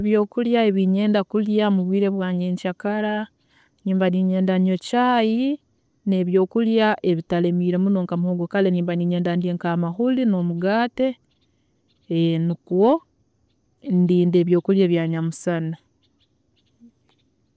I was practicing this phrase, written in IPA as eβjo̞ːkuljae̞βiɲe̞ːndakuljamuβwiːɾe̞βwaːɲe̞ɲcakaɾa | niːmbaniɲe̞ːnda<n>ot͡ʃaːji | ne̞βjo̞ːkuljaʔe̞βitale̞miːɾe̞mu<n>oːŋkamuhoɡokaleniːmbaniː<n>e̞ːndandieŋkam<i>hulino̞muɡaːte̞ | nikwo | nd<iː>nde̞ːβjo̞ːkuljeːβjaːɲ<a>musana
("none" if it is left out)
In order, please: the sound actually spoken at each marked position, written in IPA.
ɲ, n, ɲ, a, iː, a

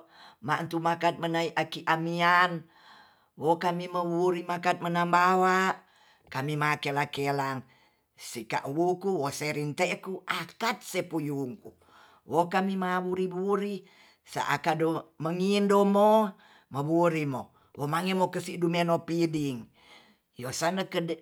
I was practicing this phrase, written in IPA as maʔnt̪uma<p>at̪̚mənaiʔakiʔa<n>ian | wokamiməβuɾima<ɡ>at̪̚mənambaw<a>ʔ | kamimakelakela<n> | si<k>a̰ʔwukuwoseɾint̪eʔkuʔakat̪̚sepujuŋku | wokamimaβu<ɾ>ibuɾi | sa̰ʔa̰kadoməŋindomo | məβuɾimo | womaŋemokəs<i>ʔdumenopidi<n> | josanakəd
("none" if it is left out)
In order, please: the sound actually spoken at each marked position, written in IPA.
k, m, k, a, ŋ, k, ɾ, i, ŋ

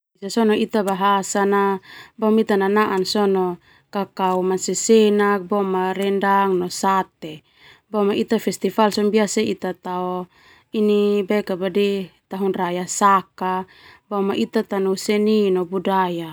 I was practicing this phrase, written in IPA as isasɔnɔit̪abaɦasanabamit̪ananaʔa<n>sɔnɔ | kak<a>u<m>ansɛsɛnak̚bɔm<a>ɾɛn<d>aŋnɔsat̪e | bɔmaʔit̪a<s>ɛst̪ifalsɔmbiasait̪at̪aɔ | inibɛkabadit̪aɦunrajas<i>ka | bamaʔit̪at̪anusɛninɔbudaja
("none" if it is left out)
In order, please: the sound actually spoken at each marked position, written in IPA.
n, a, m, a, d, f, a

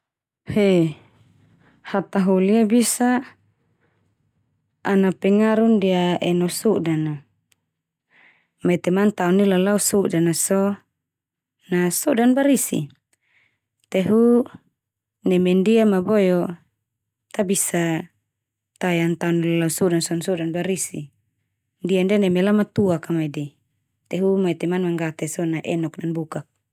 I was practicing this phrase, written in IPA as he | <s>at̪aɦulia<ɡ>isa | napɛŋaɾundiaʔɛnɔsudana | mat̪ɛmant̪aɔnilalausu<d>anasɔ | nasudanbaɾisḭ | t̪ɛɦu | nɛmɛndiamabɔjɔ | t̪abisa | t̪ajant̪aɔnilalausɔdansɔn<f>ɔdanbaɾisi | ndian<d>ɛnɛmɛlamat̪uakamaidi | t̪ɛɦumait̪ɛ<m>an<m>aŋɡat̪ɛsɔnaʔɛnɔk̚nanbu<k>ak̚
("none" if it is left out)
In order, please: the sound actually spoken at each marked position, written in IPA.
h, b, d, s, d, m, m, k

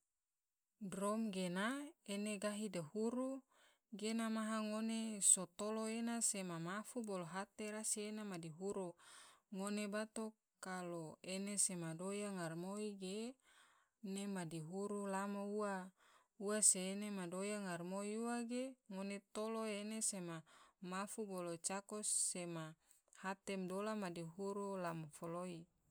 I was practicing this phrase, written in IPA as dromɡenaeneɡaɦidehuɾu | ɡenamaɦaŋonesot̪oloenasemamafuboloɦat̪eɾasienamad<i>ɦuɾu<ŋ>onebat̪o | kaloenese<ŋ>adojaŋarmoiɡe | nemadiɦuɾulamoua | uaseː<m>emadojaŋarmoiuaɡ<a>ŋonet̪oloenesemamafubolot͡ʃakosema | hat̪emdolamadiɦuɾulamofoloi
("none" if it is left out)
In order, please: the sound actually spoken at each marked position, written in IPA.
i, ŋ, m, n, e

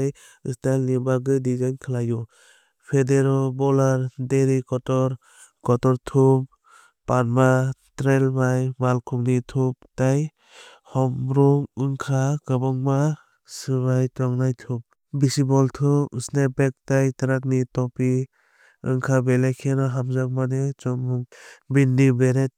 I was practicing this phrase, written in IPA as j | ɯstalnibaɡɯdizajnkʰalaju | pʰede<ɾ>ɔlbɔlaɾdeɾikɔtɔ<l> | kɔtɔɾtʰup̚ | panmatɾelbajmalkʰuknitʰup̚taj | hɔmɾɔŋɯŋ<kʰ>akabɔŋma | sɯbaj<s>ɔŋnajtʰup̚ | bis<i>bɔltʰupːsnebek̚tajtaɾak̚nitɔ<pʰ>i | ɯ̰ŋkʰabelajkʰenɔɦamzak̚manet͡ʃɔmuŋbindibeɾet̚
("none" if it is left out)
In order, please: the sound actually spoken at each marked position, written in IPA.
ɾ, ɾ, kʰ, t, i, p

